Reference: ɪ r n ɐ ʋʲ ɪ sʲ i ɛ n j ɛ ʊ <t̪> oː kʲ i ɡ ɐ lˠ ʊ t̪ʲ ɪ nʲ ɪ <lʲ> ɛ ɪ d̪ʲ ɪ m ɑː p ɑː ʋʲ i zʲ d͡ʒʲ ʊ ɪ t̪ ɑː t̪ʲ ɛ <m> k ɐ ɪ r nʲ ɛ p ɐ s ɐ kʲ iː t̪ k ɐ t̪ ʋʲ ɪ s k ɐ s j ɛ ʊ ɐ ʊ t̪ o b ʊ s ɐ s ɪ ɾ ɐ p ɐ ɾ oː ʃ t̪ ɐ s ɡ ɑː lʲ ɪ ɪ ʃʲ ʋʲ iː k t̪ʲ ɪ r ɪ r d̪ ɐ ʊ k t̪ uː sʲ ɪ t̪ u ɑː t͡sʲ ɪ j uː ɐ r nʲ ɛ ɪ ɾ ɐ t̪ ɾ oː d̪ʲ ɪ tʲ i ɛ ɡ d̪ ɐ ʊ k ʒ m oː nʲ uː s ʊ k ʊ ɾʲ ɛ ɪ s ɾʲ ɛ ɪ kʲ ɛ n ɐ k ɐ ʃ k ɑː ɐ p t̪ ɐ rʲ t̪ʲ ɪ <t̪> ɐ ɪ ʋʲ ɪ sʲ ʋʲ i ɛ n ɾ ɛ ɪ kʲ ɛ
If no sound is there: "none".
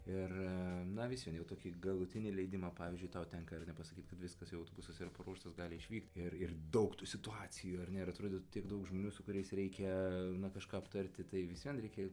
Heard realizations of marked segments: t̪, lʲ, ŋ, t̪

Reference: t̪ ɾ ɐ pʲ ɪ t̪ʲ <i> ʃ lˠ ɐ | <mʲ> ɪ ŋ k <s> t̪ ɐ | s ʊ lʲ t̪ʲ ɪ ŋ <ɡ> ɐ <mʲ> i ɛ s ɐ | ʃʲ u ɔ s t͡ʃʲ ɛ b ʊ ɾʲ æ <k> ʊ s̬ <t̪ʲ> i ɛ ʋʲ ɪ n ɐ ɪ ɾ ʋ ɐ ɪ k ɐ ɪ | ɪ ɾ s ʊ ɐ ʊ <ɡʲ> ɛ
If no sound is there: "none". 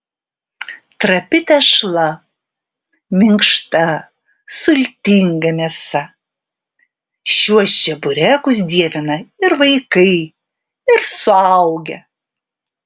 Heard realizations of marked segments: ɛ, mʲ, ʃ, ɡ, mʲ, k, d̪ʲ, ɡʲ

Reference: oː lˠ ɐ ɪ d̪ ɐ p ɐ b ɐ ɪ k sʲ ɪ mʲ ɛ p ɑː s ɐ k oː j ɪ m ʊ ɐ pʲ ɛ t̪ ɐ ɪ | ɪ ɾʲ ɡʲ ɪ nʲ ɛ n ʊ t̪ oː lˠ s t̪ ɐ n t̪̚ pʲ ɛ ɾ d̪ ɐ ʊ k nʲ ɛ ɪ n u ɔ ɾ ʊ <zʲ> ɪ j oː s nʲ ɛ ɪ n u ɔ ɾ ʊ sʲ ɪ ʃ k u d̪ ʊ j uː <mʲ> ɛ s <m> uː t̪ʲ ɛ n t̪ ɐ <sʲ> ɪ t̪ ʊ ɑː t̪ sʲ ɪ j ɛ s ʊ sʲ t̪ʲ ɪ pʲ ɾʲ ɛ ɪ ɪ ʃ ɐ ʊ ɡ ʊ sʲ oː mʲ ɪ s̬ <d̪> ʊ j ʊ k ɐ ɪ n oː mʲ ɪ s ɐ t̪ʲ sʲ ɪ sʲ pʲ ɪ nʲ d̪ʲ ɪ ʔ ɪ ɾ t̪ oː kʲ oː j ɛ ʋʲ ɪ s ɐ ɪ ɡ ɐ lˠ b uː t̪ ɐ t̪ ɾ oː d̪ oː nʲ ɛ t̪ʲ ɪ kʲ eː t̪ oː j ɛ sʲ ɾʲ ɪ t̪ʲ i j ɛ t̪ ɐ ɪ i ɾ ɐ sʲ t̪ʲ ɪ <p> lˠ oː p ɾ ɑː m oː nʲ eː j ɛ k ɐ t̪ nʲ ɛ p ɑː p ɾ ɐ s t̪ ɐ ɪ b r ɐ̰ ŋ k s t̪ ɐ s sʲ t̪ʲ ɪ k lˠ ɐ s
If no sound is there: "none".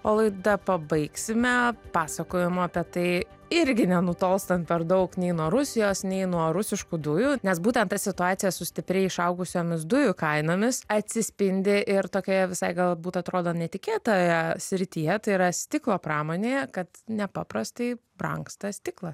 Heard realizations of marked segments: sʲ, nʲ, b, sʲ, d̪, k

